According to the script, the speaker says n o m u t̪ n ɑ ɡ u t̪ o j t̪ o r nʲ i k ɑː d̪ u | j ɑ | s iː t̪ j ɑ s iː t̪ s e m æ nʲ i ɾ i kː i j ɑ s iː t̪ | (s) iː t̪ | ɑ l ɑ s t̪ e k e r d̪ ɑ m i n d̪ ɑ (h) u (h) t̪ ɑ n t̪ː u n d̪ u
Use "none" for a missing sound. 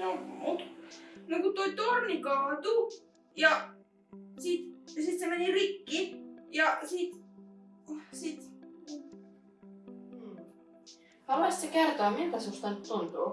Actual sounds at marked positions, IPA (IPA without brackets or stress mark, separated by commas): s, s, s